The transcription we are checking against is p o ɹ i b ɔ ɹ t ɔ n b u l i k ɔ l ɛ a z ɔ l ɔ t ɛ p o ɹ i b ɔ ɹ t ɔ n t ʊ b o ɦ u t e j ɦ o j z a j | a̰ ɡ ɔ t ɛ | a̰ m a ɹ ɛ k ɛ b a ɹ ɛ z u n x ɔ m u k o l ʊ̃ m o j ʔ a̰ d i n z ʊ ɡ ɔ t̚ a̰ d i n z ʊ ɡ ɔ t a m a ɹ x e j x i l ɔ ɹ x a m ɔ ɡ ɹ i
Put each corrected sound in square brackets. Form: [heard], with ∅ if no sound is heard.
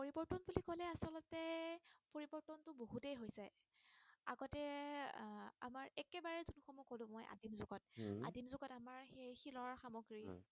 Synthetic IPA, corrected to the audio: p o ɹ i b ɔ ɹ t ɔ n b u l i k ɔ l ɛ a [s] ɔ l ɔ t ɛ p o ɹ i b ɔ ɹ t ɔ n t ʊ b o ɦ u t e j ɦ o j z a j | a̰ ɡ ɔ t ɛ | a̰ m a ɹ ɛ k ɛ b a ɹ ɛ z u n x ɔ m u k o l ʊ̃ m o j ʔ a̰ d i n z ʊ ɡ ɔ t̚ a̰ d i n z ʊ ɡ ɔ t a m a ɹ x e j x i l ɔ ɹ x a m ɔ ɡ ɹ i